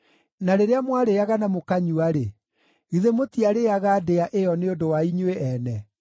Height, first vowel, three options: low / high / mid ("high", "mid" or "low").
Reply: low